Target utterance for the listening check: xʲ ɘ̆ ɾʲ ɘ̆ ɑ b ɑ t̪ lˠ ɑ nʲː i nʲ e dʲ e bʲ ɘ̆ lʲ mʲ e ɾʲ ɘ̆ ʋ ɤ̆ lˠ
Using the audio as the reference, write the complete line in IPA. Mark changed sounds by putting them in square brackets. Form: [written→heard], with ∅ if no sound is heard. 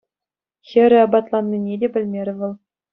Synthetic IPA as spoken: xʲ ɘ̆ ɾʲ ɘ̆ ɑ b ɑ t̪ lˠ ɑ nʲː i nʲ e dʲ e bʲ ɘ̆ lʲ mʲ e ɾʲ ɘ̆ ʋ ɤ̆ lˠ